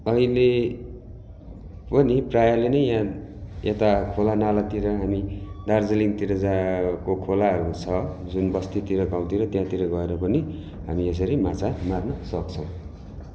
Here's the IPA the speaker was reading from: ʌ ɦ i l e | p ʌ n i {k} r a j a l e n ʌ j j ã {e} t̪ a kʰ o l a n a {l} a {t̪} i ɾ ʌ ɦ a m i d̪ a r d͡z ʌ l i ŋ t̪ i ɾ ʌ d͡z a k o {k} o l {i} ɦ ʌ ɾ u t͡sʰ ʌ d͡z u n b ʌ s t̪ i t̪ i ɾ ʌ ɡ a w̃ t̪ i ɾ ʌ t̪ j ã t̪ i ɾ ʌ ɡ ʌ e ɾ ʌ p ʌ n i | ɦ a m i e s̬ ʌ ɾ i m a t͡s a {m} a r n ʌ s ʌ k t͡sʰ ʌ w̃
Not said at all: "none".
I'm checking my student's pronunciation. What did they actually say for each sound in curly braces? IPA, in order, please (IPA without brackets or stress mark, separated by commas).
p, e, l, t̪, kʰ, a, m